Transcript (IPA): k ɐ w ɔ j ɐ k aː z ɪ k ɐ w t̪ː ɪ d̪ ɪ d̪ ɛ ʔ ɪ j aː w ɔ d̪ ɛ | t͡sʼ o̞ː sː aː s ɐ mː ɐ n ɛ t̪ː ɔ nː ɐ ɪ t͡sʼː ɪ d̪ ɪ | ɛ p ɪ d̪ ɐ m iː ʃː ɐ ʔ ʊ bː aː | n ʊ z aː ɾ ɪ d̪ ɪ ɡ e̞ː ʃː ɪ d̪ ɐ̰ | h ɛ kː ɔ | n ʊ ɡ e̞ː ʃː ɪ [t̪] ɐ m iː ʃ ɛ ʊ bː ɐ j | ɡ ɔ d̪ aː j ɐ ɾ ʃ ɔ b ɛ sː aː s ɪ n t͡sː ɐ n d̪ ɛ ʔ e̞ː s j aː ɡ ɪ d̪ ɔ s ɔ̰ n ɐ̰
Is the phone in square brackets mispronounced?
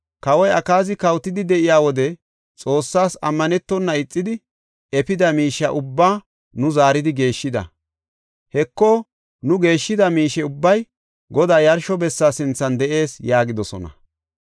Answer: yes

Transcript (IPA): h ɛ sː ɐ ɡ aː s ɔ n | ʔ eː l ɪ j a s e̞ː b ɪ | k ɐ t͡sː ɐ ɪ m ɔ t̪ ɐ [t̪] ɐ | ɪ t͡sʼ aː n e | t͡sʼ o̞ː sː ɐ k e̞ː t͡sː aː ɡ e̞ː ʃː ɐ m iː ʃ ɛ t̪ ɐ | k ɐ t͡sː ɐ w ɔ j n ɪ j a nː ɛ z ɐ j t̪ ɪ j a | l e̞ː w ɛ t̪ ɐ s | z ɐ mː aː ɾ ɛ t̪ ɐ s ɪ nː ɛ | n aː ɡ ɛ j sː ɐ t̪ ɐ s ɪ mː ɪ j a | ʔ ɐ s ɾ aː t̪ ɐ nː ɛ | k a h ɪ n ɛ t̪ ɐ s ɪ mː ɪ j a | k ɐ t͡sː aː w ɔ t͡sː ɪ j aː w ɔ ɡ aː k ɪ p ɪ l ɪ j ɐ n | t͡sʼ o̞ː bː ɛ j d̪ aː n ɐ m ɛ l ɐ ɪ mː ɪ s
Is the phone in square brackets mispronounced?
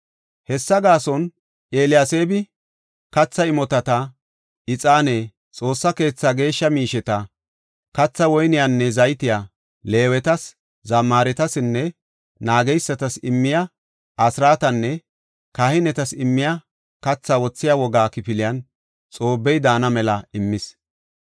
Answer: no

